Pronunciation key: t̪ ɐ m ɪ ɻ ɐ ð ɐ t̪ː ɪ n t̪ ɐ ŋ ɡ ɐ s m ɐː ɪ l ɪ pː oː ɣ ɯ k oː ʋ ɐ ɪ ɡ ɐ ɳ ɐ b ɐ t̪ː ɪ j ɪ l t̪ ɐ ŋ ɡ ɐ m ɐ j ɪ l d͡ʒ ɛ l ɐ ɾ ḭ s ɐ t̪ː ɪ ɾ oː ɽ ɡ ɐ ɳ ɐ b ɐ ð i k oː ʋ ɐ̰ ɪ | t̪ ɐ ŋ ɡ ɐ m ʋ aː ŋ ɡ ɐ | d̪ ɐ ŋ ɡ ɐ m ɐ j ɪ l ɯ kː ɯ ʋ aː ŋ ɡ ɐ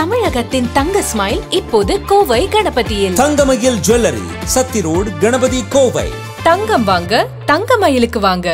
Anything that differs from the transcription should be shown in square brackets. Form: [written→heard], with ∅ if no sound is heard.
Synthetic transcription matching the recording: t̪ ɐ m ɪ ɻ ɐ [ð→ɣ] ɐ t̪ː ɪ n t̪ ɐ ŋ ɡ ɐ s m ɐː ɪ l ɪ pː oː [ɣ→ð] ɯ k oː ʋ ɐ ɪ ɡ ɐ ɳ ɐ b ɐ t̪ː ɪ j ɪ l t̪ ɐ ŋ ɡ ɐ m ɐ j ɪ l d͡ʒ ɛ l ɐ ɾ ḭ s ɐ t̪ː ɪ ɾ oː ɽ ɡ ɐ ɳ ɐ b ɐ ð i k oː ʋ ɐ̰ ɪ | t̪ ɐ ŋ ɡ ɐ m ʋ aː ŋ ɡ ɐ | [d̪→t̪] ɐ ŋ ɡ ɐ m ɐ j ɪ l ɯ kː ɯ ʋ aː ŋ ɡ ɐ